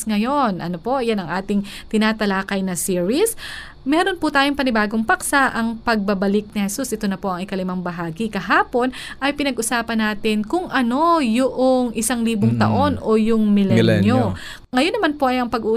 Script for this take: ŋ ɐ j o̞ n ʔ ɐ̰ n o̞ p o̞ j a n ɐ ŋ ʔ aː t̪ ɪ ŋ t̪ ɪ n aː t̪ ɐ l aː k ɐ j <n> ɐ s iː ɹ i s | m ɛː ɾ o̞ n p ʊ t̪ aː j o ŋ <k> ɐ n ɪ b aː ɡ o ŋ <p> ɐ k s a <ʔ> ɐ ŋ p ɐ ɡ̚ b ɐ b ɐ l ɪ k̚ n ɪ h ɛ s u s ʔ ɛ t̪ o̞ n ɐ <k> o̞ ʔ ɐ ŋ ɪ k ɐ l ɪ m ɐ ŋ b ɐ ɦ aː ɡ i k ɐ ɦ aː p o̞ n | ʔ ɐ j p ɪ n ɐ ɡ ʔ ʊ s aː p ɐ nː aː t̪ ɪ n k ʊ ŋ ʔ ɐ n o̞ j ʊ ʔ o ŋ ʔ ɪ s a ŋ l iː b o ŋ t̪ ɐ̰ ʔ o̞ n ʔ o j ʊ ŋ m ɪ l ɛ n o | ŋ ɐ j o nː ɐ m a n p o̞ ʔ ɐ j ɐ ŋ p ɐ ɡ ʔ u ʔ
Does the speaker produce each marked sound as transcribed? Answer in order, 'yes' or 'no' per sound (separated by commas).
yes, no, yes, yes, no